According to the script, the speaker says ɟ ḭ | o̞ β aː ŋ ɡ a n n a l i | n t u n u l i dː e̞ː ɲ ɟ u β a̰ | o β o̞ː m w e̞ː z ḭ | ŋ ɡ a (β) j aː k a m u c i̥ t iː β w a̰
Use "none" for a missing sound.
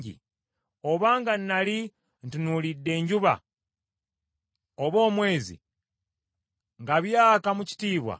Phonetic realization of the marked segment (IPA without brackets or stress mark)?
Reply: β